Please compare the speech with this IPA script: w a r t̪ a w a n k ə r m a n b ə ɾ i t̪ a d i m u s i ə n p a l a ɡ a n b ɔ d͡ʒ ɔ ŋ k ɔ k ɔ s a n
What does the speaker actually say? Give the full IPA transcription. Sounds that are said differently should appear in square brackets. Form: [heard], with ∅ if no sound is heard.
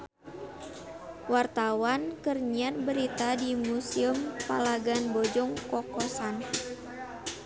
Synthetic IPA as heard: w a r t̪ a w a n k ə r [ɲ] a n b ə ɾ i t̪ a d i m u s i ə [m] p a l a ɡ a n b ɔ d͡ʒ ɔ ŋ k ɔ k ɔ s a n